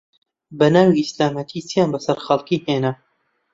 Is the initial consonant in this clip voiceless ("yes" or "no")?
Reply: no